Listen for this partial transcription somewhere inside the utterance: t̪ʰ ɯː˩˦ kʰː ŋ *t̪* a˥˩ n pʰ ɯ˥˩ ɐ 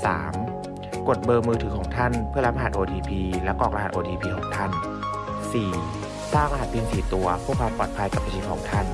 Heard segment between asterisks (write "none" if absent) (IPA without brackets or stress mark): t̪ʰ